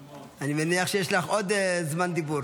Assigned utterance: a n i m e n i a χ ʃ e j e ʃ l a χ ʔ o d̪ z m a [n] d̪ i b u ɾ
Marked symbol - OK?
yes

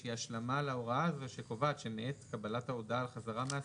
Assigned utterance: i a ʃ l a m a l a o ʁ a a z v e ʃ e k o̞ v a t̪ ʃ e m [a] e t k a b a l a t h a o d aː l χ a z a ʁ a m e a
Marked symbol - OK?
no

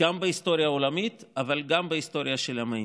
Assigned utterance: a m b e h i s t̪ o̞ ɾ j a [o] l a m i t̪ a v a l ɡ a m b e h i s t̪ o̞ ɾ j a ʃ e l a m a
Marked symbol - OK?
yes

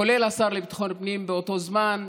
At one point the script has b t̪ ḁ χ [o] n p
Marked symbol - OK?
yes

